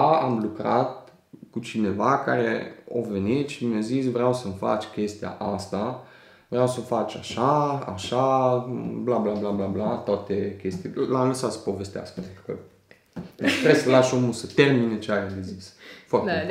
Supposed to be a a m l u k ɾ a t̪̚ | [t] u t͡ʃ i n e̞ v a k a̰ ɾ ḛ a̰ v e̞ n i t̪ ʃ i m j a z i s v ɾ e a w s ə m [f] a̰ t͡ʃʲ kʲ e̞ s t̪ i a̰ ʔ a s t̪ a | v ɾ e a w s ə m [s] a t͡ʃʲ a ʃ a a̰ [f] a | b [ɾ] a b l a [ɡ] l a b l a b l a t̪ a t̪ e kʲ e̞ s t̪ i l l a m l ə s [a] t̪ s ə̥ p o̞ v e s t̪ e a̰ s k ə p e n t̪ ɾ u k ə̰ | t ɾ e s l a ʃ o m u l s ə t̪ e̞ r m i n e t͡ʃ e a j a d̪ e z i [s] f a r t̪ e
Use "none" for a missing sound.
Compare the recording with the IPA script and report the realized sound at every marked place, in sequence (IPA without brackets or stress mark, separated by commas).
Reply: k, f, f, ʃ, l, b, a, s